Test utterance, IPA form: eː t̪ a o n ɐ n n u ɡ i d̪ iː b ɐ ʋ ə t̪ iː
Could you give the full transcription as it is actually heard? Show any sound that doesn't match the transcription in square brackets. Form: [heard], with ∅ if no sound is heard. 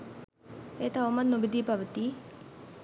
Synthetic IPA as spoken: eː t̪ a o [m] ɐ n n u [b] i d̪ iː [p] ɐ ʋ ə t̪ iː